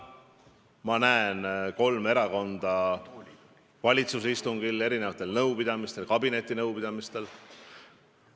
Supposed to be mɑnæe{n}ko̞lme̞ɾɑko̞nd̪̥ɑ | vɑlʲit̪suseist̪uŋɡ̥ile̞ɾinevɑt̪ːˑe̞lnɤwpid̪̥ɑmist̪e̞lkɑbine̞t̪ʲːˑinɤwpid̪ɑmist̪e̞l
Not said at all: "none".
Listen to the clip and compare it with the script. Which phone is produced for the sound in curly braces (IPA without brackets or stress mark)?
n